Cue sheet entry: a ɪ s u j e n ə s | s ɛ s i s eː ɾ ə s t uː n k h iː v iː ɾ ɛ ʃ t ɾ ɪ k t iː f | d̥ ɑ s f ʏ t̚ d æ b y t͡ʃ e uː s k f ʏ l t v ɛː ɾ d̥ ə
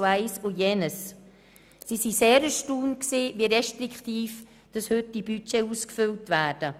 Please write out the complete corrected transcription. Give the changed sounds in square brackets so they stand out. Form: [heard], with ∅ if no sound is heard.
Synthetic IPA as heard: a ɪ s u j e n ə s | s [i] s i s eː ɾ ə [ʃ] t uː n k [s] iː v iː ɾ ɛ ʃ t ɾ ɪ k t iː f | d̥ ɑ s [h] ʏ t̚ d [i] b y t͡ʃ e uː s k f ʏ l t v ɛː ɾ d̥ ə

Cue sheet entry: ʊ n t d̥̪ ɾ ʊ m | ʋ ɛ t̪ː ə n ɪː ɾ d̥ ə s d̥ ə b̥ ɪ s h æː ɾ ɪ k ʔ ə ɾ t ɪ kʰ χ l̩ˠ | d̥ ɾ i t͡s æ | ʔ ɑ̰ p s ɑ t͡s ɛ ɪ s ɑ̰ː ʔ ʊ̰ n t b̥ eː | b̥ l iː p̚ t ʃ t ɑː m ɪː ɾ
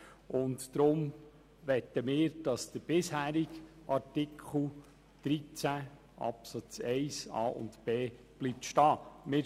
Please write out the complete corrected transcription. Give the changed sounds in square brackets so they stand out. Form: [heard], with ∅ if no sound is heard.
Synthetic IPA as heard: ʊ n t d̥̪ ɾ ʊ m | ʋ ɛ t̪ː ə [m] ɪː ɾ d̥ [ɑ] s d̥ ə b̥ ɪ s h æː ɾ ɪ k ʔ [ɑ] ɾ t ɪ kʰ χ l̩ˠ | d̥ ɾ i t͡s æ | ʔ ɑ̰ p s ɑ t͡s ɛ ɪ s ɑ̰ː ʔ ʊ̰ n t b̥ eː | b̥ l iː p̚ t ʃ t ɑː m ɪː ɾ

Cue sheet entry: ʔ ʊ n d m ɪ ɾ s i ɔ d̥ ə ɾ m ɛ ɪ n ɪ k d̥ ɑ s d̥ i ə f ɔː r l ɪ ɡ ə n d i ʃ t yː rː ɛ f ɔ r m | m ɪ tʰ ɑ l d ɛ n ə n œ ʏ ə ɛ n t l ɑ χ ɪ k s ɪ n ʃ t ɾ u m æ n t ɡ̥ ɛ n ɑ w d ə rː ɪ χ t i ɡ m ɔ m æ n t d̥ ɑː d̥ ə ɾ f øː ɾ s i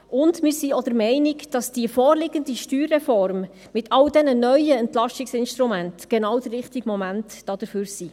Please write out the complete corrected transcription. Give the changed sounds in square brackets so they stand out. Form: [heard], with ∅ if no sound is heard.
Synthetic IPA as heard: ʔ ʊ n d m ɪ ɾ s i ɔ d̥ ə ɾ m ɛ ɪ n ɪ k d̥ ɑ s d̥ i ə f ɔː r l ɪ ɡ ə n d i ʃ t yː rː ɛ f ɔ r m | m ɪ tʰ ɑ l d ɛ n ə n œ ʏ ə ɛ n t l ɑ [ʃ] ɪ k s ɪ n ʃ t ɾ u m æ n t ɡ̥ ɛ n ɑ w d ə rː ɪ χ t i ɡ m ɔ m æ n t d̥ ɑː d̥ ə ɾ f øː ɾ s i

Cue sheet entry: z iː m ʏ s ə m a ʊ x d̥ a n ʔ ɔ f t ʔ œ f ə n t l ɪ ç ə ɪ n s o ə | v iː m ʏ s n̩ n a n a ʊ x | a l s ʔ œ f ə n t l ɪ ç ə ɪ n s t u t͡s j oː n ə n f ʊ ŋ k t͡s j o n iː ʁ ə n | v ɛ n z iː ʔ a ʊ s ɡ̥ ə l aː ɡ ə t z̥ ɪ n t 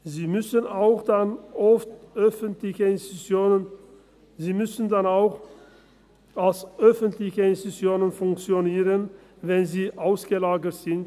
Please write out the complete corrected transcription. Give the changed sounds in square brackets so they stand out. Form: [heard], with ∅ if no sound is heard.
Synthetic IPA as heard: z iː m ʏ s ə [n] a ʊ x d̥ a n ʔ ɔ f t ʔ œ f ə n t l ɪ ç ə ɪ n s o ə | [z] iː m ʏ s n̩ [d] a n a ʊ x | a l s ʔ œ f ə n t l ɪ ç ə ɪ n s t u t͡s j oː n ə n f ʊ ŋ k t͡s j o n iː ʁ ə n | v ɛ n z iː ʔ a ʊ s ɡ̥ ə l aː ɡ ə t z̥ ɪ n t

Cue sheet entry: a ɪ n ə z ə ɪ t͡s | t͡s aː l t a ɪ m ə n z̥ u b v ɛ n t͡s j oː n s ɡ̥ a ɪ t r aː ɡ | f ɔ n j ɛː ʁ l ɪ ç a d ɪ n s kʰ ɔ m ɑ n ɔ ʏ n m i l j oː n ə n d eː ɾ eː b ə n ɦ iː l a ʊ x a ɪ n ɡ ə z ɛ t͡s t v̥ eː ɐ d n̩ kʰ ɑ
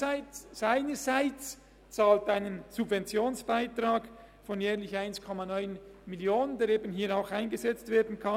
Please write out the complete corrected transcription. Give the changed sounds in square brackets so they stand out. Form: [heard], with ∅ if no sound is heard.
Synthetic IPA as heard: a ɪ n ə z [a] ɪ t͡s | t͡s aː l t a ɪ [n] ə n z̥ u b v ɛ n t͡s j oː n s [b̥] a ɪ t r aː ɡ | f ɔ n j ɛː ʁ l ɪ ç a [∅] ɪ n s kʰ ɔ m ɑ n ɔ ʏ n m i l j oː n ə n d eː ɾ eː b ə n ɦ iː [ɾ] a ʊ x a ɪ n ɡ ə z ɛ t͡s t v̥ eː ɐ d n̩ kʰ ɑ

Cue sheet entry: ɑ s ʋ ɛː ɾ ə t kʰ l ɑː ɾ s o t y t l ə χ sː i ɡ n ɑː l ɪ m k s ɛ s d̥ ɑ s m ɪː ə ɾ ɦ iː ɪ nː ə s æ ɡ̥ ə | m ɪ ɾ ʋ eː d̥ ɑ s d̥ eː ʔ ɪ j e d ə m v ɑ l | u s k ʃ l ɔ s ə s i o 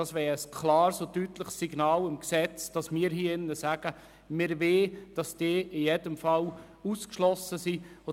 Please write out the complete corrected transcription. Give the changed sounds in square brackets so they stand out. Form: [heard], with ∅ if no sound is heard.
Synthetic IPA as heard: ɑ s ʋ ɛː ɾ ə [s] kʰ l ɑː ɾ s o t y t l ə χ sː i ɡ n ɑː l ɪ m k s ɛ [t͡s] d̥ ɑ s m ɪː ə ɾ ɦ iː ɪ nː ə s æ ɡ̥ ə | m ɪ ɾ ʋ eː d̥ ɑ s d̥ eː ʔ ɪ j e d ə m [f] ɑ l | u s k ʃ l ɔ s ə s i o

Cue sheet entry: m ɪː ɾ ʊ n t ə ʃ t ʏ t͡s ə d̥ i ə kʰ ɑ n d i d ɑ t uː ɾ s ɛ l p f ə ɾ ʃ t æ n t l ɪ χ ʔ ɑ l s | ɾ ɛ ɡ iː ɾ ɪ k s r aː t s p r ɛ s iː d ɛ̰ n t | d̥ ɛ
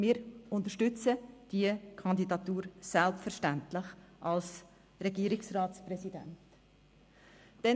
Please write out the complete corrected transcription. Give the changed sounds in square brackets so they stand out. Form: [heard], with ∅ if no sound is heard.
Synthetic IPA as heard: m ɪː ɾ ʊ n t ə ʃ t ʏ t͡s ə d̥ i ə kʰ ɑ n d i d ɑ t uː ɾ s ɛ l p f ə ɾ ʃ t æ n t l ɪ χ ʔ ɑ l s | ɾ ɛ ɡ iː ɾ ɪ k s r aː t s p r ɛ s [i] d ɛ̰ n t | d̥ ɛ

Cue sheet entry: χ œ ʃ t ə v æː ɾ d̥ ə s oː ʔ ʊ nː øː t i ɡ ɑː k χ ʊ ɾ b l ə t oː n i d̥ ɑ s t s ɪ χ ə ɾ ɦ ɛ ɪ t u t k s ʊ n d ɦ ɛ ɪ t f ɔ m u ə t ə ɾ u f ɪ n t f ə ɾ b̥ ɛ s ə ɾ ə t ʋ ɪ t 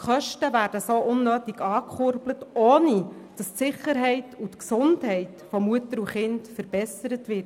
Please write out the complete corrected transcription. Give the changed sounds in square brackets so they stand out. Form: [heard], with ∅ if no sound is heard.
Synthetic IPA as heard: χ œ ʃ t ə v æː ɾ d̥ ə s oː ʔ ʊ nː øː t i ɡ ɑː k χ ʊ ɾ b l ə t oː n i d̥ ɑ s t s ɪ χ ə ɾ ɦ ɛ ɪ t u t k s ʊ n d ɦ ɛ ɪ t f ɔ m u ə t ə ɾ u [χ] ɪ n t f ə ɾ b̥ ɛ s ə ɾ ə t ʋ ɪ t

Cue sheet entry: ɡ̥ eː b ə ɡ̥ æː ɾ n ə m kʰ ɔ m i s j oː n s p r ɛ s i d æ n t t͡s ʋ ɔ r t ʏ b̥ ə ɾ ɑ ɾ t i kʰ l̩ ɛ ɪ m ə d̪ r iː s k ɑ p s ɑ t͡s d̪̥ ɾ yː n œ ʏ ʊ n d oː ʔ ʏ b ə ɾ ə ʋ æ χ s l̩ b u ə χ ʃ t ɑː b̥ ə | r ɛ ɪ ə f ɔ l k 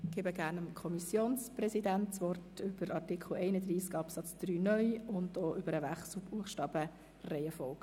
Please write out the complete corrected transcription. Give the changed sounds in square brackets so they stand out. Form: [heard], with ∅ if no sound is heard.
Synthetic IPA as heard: ɡ̥ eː b ə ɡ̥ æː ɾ n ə m kʰ ɔ m i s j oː n s p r ɛ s i d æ n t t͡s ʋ ɔ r t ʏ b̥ ə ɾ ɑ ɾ t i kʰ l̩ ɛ ɪ [n] ə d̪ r iː s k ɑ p s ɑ t͡s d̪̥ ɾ yː n œ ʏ ʊ n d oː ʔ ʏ b ə ɾ ə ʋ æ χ s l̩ b u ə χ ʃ t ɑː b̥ ə | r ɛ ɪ ə f ɔ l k

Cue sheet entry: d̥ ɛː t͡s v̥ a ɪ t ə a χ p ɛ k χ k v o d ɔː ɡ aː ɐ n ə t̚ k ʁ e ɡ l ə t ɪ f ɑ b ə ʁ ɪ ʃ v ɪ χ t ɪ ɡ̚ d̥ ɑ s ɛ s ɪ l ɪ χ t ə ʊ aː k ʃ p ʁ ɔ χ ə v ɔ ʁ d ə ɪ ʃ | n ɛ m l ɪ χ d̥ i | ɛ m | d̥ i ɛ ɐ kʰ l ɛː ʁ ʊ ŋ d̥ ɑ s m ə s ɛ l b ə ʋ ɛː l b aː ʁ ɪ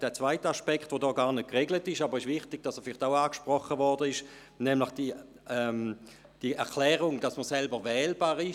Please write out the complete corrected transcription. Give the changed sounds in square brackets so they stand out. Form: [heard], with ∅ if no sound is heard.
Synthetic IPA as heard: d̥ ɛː t͡s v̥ a ɪ t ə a [ʃ] p ɛ k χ [t] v o d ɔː ɡ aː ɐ n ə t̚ k ʁ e ɡ l ə t ɪ [ʃ] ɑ b ə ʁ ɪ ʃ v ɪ χ t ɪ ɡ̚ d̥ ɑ s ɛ [f] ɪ l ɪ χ t [a] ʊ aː k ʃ p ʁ ɔ χ ə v ɔ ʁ d ə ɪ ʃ | n ɛ m l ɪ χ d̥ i | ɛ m | d̥ i ɛ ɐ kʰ l ɛː ʁ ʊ ŋ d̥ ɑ s m ə s ɛ l b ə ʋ ɛː l b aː ʁ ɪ

